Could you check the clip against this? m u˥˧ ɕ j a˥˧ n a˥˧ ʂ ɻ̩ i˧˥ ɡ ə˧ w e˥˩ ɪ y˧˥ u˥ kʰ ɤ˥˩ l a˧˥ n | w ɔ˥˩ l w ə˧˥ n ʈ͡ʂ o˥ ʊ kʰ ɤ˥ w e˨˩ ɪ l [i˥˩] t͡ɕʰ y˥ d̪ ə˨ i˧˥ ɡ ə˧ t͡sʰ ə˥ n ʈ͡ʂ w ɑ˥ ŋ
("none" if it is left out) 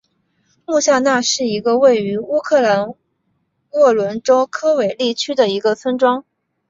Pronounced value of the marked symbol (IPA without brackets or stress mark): i˥˩